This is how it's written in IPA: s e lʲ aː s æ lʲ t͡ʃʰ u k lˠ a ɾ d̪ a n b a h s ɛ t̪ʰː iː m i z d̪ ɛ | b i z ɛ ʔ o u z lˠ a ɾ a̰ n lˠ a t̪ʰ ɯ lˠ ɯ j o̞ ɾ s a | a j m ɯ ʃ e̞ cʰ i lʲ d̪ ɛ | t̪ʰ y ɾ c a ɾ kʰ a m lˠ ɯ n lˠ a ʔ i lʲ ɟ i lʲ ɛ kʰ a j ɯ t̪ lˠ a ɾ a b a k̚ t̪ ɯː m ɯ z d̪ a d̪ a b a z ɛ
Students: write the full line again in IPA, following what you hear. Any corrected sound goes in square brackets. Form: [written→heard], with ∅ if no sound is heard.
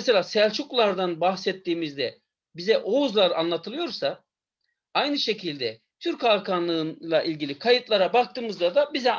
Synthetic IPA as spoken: s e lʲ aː s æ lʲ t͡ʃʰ u k lˠ a ɾ d̪ a n b a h s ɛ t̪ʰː iː m i z d̪ ɛ | b i z ɛ ʔ o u z lˠ a ɾ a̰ n lˠ a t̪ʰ ɯ lˠ ɯ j o̞ ɾ s a | a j [m→n] ɯ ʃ e̞ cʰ i lʲ d̪ ɛ | t̪ʰ y ɾ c a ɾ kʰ a [m→n] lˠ ɯ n lˠ a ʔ i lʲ ɟ i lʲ [ɛ→i] kʰ a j ɯ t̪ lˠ a ɾ a b a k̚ t̪ ɯː m ɯ z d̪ a d̪ a b [a→i] z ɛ